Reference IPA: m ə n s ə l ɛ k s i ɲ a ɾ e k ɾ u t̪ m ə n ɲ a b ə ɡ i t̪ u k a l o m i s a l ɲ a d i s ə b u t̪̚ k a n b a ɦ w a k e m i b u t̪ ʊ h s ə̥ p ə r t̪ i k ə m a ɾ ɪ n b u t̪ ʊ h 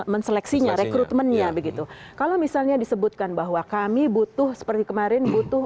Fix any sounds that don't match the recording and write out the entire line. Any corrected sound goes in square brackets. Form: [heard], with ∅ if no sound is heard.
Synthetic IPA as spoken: m ə n s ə l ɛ k s i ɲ a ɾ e k ɾ u t̪ m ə n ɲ a b ə ɡ i t̪ u k a l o m i s a l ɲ a d i s ə b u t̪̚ k a n b a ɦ w a k [a] m i b u t̪ ʊ h s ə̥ p ə r t̪ i k ə m a ɾ ɪ n b u t̪ ʊ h